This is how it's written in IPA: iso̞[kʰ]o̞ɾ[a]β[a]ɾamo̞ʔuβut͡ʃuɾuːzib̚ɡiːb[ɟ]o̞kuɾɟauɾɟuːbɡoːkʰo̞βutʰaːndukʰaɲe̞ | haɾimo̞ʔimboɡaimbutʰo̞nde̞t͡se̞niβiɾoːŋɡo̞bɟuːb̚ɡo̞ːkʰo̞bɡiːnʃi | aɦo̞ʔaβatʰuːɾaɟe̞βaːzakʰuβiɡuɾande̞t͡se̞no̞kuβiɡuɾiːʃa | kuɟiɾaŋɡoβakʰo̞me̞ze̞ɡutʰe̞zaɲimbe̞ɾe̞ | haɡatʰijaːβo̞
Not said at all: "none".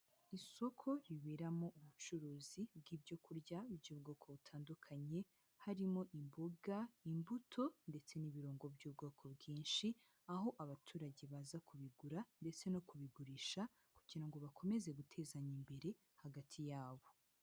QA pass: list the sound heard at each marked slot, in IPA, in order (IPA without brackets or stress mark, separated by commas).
kʰ, i, e, ɟ